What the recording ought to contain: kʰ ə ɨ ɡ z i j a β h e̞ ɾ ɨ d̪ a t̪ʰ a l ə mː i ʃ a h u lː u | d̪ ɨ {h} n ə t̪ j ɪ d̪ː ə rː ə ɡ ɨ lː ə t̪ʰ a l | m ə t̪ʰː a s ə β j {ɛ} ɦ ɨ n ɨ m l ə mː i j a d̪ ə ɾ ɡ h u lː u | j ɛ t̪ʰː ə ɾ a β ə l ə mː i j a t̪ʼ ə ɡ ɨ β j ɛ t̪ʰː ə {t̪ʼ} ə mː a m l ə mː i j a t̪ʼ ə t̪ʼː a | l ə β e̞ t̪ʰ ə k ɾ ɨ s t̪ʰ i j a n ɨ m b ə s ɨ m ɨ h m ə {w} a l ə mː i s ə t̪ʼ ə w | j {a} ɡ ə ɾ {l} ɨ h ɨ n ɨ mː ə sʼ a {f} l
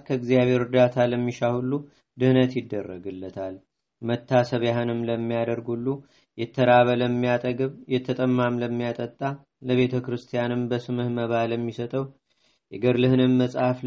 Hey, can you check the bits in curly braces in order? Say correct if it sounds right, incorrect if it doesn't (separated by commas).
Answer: correct, incorrect, correct, incorrect, incorrect, correct, correct